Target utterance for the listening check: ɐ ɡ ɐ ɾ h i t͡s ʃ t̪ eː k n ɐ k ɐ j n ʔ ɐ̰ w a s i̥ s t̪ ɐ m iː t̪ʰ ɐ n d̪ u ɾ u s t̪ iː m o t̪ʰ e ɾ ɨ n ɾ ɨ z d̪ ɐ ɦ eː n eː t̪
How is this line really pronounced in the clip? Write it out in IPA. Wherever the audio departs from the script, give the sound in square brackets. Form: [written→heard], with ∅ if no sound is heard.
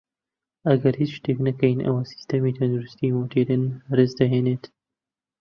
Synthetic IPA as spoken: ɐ ɡ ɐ ɾ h i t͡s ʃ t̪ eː k n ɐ k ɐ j n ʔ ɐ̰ w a s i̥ s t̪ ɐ m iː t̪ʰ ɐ n d̪ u ɾ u s t̪ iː m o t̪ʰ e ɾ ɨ n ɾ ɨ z d̪ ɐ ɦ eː n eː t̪